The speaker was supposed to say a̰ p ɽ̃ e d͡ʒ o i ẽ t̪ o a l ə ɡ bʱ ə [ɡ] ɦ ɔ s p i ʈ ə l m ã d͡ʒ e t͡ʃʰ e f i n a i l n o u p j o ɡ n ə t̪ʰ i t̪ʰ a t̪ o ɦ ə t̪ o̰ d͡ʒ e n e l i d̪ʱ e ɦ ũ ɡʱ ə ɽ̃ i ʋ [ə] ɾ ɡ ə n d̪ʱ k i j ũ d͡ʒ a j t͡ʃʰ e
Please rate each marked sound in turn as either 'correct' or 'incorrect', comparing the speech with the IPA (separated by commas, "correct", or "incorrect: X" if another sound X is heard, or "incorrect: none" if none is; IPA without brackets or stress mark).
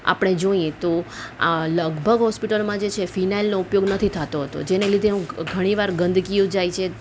correct, incorrect: a